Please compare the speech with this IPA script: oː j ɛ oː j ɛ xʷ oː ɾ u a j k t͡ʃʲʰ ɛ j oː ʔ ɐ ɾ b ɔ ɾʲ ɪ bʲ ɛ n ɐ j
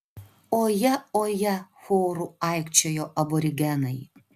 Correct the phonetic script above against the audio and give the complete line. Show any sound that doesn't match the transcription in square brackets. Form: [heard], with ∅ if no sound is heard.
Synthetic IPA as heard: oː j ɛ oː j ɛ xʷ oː ɾ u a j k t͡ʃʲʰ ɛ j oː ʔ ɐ [∅] b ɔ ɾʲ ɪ [ɡʲ] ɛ n ɐ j